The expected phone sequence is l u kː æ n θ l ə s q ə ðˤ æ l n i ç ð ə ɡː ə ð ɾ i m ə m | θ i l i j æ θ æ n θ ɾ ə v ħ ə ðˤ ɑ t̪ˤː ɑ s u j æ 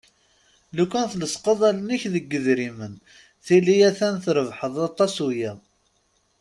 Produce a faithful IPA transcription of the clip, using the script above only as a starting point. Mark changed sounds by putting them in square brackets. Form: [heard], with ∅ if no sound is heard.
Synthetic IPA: l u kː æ n θ l ə s q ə ðˤ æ l n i ç ð ə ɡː ə ð ɾ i m ə [n] | θ i l i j æ θ æ n θ ɾ ə v ħ ə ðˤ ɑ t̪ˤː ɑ s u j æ

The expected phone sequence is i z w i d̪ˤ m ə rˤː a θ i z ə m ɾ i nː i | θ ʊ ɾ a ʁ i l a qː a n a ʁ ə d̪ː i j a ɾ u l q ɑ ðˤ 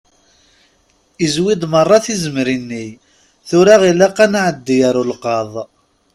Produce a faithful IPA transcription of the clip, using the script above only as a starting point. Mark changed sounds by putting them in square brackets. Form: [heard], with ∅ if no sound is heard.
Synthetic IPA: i z w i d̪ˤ m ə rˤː [ɑ] θ i z ə m ɾ i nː i | θ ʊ ɾ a ʁ i l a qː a n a [ʕ] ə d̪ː i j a ɾ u l q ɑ ðˤ

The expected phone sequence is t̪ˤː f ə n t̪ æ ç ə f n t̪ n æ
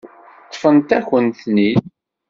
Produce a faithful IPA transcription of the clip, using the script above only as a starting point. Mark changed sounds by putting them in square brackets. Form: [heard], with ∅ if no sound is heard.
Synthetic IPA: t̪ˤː f ə n t̪ æ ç ə [∅] n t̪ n [i]

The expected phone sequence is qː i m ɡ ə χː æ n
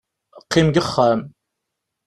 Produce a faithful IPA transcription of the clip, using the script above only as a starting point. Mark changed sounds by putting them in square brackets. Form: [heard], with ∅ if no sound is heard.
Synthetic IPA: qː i m ɡ ə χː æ [m]

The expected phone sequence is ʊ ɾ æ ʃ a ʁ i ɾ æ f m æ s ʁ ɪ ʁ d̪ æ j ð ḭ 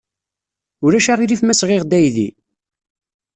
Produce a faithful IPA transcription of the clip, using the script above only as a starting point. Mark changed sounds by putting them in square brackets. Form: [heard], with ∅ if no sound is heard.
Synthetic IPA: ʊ ɾ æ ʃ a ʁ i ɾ [i] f m æ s ʁ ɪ ʁ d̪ æ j ð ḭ

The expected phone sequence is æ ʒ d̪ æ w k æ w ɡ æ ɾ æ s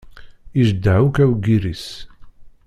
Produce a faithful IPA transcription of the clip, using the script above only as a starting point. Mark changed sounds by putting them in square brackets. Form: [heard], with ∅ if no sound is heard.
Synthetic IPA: [i] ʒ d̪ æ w k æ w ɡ [i] ɾ [i] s

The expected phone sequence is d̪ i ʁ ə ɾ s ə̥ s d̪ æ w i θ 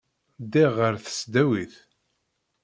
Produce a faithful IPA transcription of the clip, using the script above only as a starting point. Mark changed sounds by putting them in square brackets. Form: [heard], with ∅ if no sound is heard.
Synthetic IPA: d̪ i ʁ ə ɾ [θ] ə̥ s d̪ æ w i θ

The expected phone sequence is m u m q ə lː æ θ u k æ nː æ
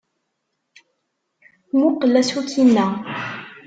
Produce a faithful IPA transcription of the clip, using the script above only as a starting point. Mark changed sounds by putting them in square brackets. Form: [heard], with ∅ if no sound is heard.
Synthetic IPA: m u [∅] q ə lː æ [s] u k [i] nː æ

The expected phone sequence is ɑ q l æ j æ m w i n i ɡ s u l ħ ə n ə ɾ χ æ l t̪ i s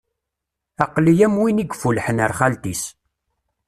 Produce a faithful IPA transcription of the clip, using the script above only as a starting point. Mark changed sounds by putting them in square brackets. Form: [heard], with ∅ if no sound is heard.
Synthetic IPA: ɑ q l [i] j æ m w i n i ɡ [f] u l ħ ə n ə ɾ χ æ l t̪ i s

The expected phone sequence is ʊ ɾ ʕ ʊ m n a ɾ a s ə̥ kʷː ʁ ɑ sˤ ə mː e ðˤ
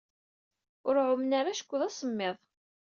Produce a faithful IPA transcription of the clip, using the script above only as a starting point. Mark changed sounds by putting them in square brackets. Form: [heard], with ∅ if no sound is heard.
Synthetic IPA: ʊ ɾ ʕ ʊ m n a ɾ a [ʃ] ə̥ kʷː [ð] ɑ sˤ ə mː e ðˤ

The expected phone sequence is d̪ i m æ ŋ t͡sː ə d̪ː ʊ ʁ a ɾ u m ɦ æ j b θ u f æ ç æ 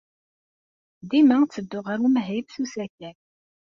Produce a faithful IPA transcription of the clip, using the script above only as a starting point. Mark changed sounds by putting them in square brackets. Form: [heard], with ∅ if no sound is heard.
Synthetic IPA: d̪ i m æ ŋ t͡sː ə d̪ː ʊ ʁ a ɾ u m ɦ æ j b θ u [s] æ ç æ

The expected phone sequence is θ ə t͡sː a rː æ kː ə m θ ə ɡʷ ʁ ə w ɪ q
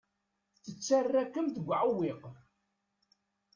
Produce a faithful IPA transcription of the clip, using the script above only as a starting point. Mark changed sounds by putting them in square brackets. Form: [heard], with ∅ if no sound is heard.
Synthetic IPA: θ ə t͡sː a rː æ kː ə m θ ə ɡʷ [ʕ] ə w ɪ q

